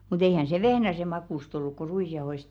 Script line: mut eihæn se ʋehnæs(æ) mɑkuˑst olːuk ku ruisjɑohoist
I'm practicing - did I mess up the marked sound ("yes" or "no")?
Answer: yes